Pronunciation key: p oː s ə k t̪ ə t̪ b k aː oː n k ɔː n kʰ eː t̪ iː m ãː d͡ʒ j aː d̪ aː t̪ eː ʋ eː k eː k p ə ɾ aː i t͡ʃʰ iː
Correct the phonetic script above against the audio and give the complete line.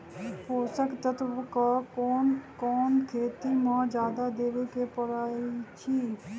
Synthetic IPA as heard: p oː s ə k t̪ ə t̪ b k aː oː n k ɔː n kʰ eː t̪ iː m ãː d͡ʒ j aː d̪ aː d̪ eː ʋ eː k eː p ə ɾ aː i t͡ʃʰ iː